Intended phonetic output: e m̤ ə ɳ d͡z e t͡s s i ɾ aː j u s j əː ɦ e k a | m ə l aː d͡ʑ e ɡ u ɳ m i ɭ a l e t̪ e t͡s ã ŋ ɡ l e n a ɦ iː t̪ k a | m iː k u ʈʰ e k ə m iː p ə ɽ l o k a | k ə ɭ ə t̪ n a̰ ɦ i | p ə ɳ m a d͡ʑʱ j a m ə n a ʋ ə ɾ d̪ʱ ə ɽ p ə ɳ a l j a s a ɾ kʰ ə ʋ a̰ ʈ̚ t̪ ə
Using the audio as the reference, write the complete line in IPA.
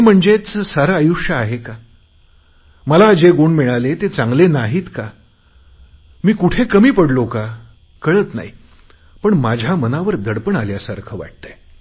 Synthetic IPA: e m̤ ə ɳ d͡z e t͡s s a ɾ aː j u ʂ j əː ɦ e k a | m ə l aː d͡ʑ e ɡ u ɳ m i ɭ a l e t̪ e t͡s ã ŋ ɡ l e n a ɦ iː t̪ k a | m iː k u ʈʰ e k ə m iː p ə ɽ l o k a | k ə ɭ ə t̪ n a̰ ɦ i | p ə ɳ m a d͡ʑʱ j a m ə n a ʋ ə ɾ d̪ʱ ə ɽ p ə ɳ a l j a s a ɾ kʰ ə ʋ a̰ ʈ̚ t̪ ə